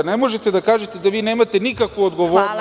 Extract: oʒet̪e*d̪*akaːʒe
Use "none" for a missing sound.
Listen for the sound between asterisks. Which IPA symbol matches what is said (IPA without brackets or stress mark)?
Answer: d̪